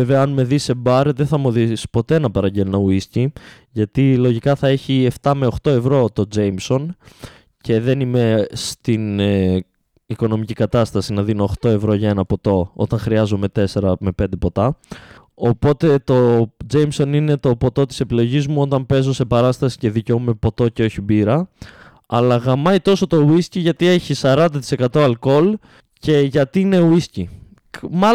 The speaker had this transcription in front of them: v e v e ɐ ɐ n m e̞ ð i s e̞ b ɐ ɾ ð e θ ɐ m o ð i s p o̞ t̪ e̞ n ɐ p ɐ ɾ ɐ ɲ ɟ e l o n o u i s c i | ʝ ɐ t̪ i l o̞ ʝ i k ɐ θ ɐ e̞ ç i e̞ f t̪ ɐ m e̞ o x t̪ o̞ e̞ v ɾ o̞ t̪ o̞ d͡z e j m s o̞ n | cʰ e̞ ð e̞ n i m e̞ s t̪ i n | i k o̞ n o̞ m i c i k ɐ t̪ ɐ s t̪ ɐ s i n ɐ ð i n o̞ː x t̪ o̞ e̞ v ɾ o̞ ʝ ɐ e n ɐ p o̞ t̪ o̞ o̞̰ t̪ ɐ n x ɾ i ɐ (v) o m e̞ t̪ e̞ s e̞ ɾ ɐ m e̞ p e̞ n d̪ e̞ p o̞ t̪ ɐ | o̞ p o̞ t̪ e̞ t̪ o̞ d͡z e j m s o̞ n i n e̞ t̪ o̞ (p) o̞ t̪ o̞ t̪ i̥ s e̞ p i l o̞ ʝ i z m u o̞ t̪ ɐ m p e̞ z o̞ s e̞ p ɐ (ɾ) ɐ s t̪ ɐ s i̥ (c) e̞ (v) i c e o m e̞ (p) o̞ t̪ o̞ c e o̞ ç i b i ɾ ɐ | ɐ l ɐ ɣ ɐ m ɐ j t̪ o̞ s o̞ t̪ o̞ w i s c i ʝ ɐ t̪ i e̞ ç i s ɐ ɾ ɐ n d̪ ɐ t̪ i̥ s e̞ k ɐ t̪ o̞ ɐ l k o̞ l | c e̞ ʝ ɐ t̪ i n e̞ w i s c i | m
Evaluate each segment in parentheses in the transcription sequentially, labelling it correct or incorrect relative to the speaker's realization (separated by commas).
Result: incorrect, correct, correct, correct, incorrect, correct